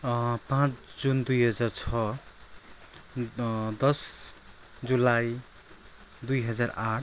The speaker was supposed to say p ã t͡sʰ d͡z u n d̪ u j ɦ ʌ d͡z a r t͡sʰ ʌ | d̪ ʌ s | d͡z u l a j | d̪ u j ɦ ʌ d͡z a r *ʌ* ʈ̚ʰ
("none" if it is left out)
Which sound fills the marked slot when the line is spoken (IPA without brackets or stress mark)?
a